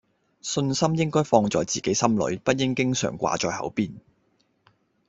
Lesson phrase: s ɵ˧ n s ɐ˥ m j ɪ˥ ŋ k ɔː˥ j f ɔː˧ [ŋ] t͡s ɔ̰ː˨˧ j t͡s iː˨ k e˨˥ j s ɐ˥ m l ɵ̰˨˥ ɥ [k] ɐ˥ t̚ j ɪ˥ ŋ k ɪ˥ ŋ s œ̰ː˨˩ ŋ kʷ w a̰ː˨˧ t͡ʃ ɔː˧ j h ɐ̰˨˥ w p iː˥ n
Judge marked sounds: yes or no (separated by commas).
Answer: yes, no